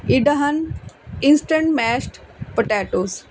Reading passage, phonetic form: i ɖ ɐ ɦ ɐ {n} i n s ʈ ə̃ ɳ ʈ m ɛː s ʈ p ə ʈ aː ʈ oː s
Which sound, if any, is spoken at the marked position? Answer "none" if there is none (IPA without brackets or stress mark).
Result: n